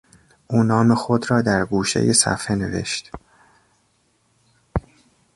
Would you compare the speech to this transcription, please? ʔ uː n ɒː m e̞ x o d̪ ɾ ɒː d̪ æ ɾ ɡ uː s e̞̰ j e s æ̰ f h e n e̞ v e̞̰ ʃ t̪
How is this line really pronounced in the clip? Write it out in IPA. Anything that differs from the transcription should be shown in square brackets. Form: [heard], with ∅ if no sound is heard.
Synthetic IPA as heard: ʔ uː n ɒː m e̞ x o d̪ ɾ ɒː d̪ æ ɾ ɡ uː [ʃ] e̞̰ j e s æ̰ f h e n e̞ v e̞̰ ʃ t̪